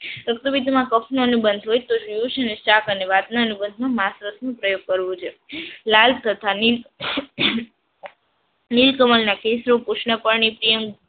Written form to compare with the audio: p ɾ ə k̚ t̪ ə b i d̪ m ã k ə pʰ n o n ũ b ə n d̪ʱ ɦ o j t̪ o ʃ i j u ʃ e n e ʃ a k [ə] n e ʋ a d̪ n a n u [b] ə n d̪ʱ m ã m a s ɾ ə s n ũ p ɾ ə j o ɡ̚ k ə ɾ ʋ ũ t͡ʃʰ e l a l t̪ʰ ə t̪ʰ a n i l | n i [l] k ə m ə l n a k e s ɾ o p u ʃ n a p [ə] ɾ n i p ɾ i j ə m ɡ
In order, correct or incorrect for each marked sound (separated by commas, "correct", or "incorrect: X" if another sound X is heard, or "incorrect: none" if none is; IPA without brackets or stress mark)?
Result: correct, correct, correct, correct